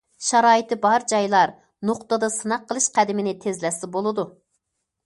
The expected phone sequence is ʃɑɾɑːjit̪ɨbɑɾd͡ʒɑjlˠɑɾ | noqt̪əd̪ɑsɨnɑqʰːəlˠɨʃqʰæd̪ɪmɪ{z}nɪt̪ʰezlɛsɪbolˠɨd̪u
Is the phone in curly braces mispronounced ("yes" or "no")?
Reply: yes